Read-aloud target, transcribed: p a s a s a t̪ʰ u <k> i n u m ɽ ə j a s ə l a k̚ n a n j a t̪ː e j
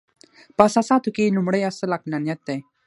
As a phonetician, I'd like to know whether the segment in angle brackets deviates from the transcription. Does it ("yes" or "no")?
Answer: no